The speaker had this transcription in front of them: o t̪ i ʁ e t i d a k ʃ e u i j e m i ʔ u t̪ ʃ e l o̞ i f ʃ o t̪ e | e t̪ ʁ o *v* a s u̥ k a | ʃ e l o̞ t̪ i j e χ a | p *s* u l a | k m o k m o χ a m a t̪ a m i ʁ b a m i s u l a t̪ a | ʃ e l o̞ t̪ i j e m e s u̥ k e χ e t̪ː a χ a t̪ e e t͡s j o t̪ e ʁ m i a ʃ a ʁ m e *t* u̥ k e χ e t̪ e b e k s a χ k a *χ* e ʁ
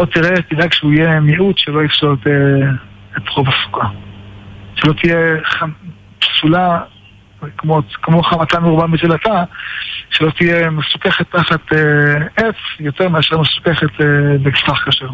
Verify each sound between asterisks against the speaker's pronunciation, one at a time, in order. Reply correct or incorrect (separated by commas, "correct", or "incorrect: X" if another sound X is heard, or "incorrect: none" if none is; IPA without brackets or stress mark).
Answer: correct, correct, incorrect: s, incorrect: ʃ